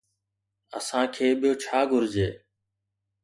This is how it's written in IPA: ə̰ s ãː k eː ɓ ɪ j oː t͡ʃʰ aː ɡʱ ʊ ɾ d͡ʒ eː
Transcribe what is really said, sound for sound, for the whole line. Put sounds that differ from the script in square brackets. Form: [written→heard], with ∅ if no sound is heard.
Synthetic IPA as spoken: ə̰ s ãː [k→kʰ] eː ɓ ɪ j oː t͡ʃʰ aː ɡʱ ʊ ɾ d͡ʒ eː